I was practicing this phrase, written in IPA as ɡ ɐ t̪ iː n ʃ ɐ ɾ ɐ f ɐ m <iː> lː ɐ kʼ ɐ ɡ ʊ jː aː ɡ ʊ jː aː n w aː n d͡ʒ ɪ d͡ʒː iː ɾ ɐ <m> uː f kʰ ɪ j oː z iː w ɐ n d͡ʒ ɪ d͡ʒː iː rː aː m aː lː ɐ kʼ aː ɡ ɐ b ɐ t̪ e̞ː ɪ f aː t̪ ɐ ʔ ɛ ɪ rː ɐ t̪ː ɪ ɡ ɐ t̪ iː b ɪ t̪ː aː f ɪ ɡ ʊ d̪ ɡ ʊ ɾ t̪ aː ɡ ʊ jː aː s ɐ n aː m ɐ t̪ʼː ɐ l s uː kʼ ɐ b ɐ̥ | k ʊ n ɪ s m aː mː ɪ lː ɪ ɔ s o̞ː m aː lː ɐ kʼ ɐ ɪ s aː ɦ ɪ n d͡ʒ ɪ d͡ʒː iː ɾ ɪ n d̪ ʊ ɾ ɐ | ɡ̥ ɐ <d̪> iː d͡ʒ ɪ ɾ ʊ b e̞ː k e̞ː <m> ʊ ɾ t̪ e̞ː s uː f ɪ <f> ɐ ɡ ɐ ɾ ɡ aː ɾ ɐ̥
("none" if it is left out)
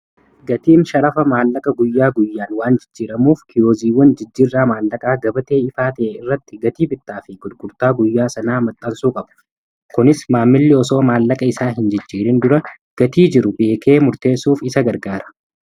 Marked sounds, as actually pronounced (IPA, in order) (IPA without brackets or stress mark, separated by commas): aː, m, t̪, m, s